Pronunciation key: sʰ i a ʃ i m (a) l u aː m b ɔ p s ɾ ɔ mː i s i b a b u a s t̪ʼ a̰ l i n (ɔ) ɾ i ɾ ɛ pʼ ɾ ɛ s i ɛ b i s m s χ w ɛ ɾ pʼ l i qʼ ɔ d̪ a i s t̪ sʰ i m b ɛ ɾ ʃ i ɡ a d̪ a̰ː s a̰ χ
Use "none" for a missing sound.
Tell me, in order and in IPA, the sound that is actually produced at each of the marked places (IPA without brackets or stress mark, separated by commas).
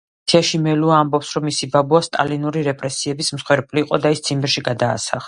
ɛ, u